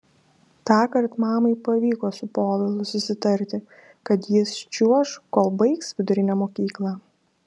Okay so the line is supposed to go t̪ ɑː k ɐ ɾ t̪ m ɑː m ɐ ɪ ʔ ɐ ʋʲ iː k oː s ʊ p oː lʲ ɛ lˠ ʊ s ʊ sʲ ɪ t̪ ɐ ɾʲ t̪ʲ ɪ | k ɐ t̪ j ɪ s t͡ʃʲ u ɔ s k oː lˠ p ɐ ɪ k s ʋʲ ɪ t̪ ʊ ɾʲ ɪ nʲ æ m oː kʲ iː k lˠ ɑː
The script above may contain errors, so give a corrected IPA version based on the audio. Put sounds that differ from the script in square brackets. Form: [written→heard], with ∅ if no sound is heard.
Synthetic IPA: t̪ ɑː k ɐ ɾ t̪ m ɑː m ɐ ɪ [ʔ→p] ɐ ʋʲ iː k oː s ʊ p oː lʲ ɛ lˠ ʊ s ʊ sʲ ɪ t̪ ɐ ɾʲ t̪ʲ ɪ | k ɐ t̪ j ɪ s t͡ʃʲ u ɔ [s→ʃ] k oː lˠ [p→b] ɐ ɪ k s ʋʲ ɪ [t̪→d̪] ʊ ɾʲ ɪ nʲ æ m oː kʲ iː k lˠ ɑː